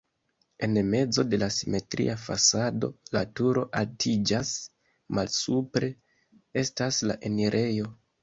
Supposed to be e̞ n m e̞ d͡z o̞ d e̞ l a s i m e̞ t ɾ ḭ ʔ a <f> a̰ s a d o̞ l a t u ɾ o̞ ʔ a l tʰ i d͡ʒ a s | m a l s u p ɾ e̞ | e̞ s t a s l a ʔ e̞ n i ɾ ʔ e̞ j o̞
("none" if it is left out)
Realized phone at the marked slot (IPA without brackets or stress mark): f